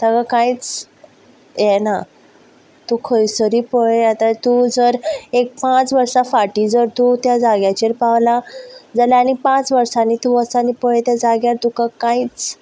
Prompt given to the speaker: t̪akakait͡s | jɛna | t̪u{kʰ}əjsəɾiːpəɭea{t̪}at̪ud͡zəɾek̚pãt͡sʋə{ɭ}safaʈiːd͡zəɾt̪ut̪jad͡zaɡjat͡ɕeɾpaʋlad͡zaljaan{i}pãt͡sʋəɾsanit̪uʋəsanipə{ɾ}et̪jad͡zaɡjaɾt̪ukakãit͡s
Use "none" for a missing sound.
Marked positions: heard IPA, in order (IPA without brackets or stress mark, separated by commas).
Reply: kʰ, t̪, ɾ, i, ɭ